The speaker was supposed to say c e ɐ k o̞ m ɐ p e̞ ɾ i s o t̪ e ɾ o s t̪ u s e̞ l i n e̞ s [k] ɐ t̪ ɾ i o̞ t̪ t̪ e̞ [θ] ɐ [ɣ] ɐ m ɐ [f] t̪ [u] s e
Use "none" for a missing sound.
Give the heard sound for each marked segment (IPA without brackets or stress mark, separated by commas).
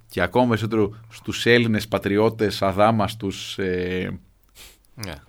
p, s, ð, s, u